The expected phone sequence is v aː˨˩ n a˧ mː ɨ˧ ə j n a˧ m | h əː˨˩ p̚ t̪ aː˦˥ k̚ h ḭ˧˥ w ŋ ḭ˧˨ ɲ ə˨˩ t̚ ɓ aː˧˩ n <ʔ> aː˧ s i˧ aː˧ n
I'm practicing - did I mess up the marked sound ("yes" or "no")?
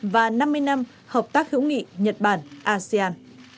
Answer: no